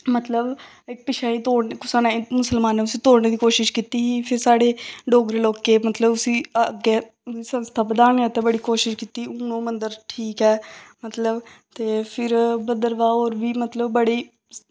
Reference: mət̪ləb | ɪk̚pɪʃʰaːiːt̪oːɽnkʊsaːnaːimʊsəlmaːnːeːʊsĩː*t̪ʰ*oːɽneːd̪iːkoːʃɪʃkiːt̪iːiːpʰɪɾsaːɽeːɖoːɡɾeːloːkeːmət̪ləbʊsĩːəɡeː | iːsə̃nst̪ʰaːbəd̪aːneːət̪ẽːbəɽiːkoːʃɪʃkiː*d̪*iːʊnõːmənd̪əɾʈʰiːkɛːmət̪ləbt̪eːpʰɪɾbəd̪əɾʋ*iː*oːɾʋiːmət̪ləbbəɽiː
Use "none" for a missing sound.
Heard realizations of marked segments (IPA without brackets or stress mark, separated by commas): t̪, t̪, aː